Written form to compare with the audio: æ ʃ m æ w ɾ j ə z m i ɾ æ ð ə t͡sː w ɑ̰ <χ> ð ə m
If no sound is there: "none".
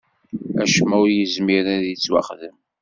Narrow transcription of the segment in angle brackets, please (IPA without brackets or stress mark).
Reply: χ